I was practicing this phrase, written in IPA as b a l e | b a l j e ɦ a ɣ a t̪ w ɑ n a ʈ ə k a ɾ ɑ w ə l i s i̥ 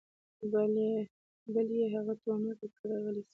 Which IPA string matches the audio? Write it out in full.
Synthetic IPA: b a l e | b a l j e ɦ a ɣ a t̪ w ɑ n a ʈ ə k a ɾ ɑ ɣ ə l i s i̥